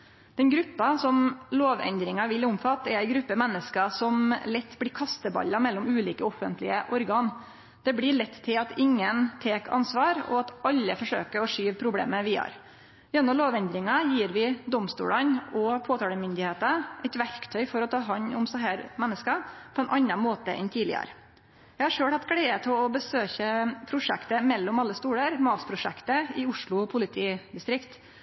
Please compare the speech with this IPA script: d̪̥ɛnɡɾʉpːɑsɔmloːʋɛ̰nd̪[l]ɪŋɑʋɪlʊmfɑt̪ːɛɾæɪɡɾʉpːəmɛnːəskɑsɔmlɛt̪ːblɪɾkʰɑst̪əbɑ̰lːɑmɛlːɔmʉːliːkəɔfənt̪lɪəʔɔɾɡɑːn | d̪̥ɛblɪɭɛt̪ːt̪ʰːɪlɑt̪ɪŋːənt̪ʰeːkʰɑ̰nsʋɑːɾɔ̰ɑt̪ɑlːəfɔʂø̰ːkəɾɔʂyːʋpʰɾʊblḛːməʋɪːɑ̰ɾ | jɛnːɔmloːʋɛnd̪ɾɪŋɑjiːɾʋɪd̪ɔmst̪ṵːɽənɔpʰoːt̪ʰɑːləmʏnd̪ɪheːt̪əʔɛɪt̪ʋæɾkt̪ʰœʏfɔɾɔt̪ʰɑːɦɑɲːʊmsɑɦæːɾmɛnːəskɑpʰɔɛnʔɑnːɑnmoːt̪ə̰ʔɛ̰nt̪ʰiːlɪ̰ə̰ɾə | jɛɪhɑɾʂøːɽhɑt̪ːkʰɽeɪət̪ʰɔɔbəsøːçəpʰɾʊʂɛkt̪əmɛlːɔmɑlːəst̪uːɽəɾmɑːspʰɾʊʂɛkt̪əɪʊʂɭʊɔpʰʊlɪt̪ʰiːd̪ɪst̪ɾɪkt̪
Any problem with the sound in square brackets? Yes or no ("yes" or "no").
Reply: yes